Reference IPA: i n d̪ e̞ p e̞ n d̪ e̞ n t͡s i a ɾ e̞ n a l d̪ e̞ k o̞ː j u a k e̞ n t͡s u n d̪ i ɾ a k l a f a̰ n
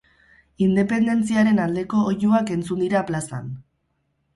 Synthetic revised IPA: i n d̪ e̞ p e̞ n d̪ e̞ n t͡s i a ɾ e̞ n a l d̪ e̞ k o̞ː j u a k e̞ n t͡s u n d̪ i ɾ a p l a s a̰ n

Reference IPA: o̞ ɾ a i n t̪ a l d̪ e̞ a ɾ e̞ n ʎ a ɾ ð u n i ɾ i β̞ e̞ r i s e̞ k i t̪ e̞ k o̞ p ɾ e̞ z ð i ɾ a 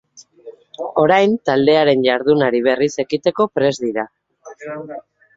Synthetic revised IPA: o̞ ɾ a j n t̪ a l d̪ e̞ a ɾ e̞ n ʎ a ɾ ð u n a ɾ i β̞ e̞ r i s e̞ k i t̪ e̞ k o̞ p ɾ e̞ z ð i ɾ a

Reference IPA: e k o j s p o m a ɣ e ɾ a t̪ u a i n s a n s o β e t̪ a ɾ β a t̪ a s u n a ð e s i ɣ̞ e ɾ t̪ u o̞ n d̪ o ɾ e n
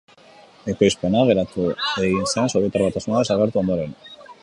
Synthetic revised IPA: e k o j s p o n a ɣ e ɾ a t̪ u e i n s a n s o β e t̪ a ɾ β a t̪ a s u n a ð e s a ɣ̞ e ɾ t̪ u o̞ n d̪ o ɾ e n

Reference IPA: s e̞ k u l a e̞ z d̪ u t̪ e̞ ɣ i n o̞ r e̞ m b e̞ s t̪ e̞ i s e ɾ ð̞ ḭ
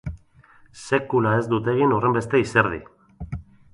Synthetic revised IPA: s e̞ k u l a e̞ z d̪ u t̪ e̞ ɣ i n o̞ r e̞ m b e̞ s t̪ e̞ i s e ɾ ð̞ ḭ

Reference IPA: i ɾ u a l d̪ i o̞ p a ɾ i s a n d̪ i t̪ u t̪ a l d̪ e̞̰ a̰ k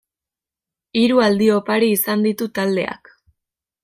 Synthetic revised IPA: i ɾ u a l d̪ i o̞ p a ɾ iː s a n d̪ i t̪ u t̪ a l d̪ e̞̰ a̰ k

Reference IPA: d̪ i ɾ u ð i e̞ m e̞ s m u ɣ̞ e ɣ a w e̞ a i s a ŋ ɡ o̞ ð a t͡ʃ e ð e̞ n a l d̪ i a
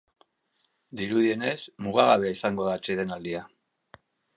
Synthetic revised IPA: d̪ i ɾ u ð i e̞ n e̞ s m u ɣ̞ a ɣ a β e̞ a i s a ŋ ɡ o̞ ð a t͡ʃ e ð e̞ n a l d̪ i a

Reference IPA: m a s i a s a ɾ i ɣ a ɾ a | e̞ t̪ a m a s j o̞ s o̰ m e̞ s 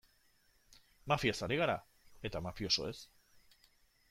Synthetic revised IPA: m a f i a s a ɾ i ɣ a ɾ a | e̞ t̪ a m a f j o̞ s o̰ e̞ s

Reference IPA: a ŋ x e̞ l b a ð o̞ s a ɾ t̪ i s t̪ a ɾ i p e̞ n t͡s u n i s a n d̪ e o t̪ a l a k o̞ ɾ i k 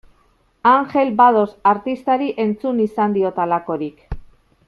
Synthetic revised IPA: a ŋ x e̞ l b a ð o̞ s a ɾ t̪ i s t̪ a ɾ i ʔ e̞ n t͡s u n i s a n d̪ i o t̪ a l a k o̞ ɾ i k

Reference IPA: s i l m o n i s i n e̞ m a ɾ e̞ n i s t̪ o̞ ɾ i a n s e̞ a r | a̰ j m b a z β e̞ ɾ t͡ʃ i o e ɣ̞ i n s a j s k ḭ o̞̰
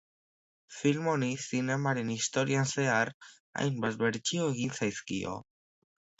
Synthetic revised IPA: f i l m o n i s i n e̞ m a ɾ e̞ n i s t̪ o̞ ɾ i a n s e̞ a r | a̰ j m b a z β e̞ ɾ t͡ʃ i o e ɣ̞ i n s a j s k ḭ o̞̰

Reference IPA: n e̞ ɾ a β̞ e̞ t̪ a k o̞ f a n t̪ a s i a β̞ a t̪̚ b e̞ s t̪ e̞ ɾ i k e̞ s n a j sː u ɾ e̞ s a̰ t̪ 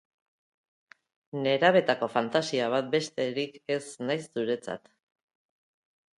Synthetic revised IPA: n e̞ ɾ a β̞ e̞ t̪ a k o̞ f a n t̪ a s i a β̞ a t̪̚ b e̞ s t̪ e̞ ɾ i k e̞ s n a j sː u ɾ e̞ t͡s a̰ t̪

